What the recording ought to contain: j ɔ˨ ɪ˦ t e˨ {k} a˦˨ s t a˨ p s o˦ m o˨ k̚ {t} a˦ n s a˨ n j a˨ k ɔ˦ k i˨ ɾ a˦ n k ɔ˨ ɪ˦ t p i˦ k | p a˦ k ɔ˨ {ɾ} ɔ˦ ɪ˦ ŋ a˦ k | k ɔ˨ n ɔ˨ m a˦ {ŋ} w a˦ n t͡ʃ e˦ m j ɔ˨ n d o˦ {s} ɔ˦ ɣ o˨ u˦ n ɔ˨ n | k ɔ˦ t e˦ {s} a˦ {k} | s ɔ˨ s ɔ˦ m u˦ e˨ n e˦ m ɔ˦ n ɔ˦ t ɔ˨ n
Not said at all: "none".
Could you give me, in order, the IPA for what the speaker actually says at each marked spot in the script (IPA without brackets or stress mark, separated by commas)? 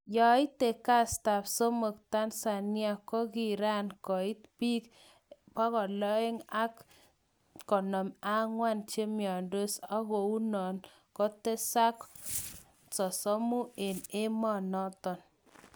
k, t, l, ŋ, s, s, k